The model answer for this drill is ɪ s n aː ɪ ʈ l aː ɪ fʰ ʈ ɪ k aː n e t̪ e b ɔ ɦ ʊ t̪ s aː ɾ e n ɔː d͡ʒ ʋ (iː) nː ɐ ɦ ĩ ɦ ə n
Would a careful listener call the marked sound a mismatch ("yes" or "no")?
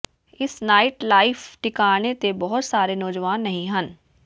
yes